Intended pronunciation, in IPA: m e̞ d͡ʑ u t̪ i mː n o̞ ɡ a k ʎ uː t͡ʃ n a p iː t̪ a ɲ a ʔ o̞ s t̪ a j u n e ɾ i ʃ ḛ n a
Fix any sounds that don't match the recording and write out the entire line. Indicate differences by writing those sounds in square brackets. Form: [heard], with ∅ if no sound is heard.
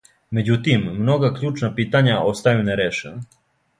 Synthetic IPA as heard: m e̞ d͡ʑ u t̪ i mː n o̞ ɡ a k ʎ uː t͡ʃ n a p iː t̪ a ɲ a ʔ o̞ s t̪ a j u n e ɾ [e] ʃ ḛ n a